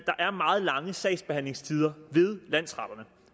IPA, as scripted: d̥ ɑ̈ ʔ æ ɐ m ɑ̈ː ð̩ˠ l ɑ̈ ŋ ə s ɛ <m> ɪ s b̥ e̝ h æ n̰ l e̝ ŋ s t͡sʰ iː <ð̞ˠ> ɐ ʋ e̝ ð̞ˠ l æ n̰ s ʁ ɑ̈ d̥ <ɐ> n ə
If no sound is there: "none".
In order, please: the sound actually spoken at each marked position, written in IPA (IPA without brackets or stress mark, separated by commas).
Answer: none, ð̞ˠ, ɐ